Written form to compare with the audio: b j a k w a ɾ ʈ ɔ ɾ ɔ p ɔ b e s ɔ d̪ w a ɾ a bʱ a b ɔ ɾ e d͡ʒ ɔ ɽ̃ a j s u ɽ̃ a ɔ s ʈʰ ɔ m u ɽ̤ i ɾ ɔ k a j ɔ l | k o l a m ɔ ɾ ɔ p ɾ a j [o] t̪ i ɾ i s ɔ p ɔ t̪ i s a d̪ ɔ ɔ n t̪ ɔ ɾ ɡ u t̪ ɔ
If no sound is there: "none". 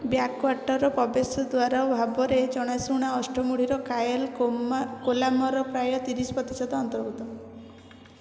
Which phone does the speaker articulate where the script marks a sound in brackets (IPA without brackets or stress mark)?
ɔ